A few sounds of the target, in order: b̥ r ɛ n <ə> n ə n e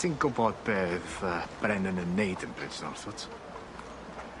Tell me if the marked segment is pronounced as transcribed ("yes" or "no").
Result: yes